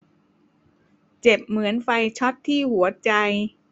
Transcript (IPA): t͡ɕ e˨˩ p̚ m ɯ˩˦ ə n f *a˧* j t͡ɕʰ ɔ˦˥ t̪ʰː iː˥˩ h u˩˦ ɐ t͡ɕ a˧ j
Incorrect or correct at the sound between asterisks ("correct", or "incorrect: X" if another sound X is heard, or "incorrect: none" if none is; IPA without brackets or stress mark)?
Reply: correct